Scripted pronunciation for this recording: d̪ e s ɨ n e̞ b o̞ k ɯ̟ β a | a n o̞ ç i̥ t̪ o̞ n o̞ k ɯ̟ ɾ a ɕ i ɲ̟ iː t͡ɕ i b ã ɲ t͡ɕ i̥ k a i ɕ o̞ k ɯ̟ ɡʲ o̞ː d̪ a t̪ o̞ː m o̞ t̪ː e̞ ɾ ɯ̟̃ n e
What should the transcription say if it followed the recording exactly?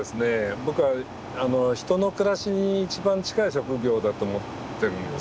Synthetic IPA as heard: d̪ e s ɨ n e̞ b o̞ k ɯ̟ β a | a n o̞ ç i̥ t̪ o̞ n o̞ k ɯ̟ ɾ a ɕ i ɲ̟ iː t͡ɕ i b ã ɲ t͡ɕ i̥ k a i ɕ o̞ k ɯ̟ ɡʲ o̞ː d̪ a t̪ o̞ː m o̞ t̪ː e̞ ɾ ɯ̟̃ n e